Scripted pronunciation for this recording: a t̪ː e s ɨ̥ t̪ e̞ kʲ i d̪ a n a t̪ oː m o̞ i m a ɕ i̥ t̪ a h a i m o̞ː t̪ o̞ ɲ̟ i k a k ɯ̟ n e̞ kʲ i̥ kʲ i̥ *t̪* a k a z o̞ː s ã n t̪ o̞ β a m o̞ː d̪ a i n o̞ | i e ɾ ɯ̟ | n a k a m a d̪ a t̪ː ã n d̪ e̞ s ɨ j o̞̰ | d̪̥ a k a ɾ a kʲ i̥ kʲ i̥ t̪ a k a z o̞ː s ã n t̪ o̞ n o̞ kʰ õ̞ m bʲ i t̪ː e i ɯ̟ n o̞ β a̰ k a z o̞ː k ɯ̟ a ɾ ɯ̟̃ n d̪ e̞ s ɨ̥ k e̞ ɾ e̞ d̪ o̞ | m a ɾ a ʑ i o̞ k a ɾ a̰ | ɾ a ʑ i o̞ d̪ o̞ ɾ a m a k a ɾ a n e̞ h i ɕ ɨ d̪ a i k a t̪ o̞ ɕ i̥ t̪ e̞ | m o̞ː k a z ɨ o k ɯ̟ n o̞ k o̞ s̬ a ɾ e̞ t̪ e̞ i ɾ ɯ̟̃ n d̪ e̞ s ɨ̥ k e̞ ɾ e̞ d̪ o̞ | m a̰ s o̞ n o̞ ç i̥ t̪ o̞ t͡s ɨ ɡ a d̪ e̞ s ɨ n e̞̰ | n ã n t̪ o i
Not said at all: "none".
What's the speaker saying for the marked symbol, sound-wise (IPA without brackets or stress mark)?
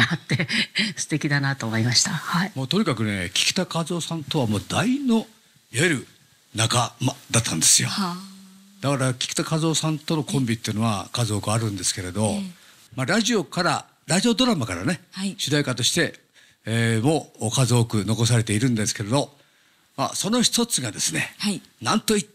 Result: t̪